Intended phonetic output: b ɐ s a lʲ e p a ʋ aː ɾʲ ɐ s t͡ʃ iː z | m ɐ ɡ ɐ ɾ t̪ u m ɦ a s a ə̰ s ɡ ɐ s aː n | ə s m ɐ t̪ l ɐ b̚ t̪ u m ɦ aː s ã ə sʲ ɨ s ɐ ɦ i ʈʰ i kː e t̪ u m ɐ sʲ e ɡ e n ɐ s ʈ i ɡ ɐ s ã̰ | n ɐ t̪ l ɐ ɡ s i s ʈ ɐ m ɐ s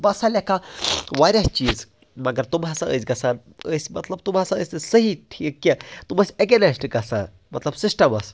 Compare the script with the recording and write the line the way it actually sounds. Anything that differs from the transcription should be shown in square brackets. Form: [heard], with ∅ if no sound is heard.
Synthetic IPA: b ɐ s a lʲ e [k] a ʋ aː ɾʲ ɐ s t͡ʃ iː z | m ɐ ɡ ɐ ɾ t̪ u m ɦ a s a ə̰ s ɡ ɐ s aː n | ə s m ɐ t̪ l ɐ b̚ t̪ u m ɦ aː s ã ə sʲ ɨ s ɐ ɦ i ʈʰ i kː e t̪ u m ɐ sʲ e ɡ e n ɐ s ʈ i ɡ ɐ s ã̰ | [m] ɐ t̪ l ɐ [b] s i s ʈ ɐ m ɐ s